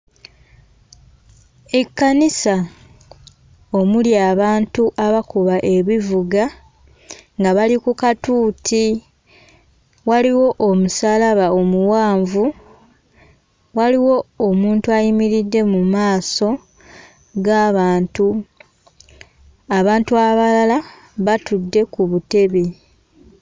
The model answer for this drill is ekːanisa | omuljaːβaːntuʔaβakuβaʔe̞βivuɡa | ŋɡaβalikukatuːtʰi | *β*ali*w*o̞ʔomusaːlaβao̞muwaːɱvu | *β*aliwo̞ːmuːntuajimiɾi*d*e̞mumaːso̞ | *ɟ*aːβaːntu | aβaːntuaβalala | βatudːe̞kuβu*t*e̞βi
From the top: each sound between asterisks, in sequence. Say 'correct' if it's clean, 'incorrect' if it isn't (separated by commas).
incorrect, correct, incorrect, incorrect, incorrect, correct